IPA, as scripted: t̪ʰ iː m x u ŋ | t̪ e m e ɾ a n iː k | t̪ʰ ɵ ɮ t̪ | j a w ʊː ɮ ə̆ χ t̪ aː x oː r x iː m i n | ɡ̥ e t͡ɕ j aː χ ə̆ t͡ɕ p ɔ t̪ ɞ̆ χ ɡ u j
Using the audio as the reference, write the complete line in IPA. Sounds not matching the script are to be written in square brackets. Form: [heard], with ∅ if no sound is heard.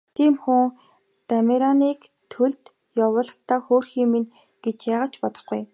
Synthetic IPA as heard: t̪ʰ iː m x u ŋ | t̪ [a] m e ɾ a n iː k | t̪ʰ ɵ ɮ t̪ | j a w ʊː ɮ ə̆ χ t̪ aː x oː r x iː m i n | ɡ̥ e t͡ɕ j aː [ʁ] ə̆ t͡ɕ p ɔ t̪ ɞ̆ χ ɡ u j